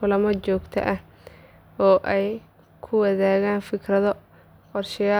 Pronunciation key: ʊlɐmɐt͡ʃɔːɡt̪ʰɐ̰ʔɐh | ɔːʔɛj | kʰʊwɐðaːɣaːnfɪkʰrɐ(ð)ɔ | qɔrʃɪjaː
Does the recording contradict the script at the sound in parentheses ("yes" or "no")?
no